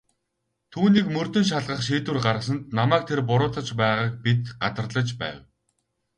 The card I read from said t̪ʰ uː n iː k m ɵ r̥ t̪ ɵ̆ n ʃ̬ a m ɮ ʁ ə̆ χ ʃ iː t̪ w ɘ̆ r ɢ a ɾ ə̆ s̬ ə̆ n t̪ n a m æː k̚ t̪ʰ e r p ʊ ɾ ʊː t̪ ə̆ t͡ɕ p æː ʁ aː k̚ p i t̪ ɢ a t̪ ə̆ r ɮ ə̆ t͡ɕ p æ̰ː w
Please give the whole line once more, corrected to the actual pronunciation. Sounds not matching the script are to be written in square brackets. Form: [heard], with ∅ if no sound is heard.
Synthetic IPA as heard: t̪ʰ uː n iː k m ɵ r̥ t̪ ɵ̆ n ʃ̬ a [∅] ɮ ʁ ə̆ χ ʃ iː t̪ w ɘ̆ r ɢ a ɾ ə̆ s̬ ə̆ n t̪ n a m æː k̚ t̪ʰ e r p ʊ ɾ ʊː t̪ ə̆ t͡ɕ p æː ʁ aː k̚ p i t̪ ɢ a t̪ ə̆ r ɮ ə̆ t͡ɕ p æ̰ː w